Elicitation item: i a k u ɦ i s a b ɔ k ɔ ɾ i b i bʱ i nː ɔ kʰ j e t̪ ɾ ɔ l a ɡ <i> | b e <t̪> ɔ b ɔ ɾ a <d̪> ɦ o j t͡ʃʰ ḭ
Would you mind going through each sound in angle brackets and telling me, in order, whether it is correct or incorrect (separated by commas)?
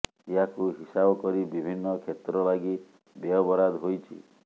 correct, incorrect, correct